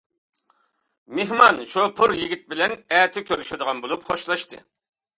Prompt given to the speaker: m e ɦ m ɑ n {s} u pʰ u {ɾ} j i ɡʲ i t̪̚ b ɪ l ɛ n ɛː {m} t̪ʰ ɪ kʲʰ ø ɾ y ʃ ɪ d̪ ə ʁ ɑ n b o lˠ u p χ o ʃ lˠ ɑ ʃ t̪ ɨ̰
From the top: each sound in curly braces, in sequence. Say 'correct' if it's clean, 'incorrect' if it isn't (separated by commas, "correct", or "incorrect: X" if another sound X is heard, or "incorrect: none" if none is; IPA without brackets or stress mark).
incorrect: ʃ, correct, incorrect: none